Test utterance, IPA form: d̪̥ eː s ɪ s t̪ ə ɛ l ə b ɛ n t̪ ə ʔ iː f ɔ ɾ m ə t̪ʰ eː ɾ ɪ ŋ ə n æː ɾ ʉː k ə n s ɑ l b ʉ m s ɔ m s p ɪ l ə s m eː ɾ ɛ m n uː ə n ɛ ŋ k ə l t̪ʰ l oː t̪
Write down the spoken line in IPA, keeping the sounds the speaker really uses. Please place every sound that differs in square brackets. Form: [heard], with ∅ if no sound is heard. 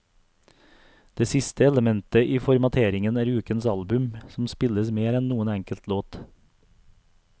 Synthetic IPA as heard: d̪̥ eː s ɪ s t̪ ə ɛ l ə [m] ɛ n t̪ ə ʔ iː f ɔ ɾ m [ɑ] t̪ʰ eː ɾ ɪ ŋ ə n æː ɾ ʉː k ə n s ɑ l b ʉ m s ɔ m s p ɪ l ə s m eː ɾ ɛ [n] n uː ə n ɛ ŋ k ə l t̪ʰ l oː t̪